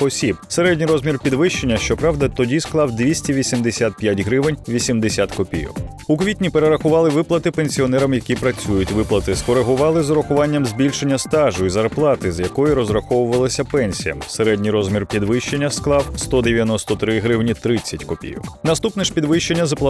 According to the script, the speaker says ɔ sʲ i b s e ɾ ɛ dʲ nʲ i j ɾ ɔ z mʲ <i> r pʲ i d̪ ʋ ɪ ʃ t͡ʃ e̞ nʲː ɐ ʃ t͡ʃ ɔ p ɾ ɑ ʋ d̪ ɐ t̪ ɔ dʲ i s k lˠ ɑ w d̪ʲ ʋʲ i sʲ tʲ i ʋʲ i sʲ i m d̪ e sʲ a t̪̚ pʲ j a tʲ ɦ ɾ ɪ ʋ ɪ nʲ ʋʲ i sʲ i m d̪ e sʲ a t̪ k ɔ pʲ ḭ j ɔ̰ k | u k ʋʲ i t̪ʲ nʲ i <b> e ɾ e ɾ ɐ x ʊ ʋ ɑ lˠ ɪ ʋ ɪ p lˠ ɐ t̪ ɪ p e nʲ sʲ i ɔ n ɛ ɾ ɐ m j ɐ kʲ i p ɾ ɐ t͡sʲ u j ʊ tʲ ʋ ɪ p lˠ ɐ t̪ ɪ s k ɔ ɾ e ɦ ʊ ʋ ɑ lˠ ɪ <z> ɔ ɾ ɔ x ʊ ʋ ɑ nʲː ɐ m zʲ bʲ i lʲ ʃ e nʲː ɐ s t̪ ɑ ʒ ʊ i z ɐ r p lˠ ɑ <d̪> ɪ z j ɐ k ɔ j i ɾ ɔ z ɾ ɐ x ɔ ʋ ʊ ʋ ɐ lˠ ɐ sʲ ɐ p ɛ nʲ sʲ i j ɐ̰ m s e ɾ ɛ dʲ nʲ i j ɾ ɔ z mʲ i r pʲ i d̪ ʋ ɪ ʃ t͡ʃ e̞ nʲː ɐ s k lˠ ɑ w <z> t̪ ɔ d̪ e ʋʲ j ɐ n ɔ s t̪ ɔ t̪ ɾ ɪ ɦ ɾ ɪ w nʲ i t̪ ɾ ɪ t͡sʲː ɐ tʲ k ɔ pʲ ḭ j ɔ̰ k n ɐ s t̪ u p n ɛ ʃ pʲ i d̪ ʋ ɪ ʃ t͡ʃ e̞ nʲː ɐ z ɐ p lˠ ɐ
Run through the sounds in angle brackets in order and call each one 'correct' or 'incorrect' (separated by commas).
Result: correct, incorrect, correct, incorrect, incorrect